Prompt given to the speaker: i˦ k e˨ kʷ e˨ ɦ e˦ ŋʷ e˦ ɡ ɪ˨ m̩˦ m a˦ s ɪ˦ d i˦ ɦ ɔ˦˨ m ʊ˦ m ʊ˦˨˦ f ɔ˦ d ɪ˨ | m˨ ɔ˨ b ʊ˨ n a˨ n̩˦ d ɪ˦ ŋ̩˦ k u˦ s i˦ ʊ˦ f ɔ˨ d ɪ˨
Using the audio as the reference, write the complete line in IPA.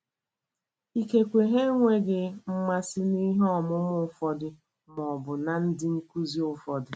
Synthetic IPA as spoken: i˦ k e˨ kʷ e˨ ɦ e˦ ŋʷ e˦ ɡ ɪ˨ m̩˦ m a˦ s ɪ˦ n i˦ ɦ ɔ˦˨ m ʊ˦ m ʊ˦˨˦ f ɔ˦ d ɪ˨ | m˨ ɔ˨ b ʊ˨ n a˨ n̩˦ d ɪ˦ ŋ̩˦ k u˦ z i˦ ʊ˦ f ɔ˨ d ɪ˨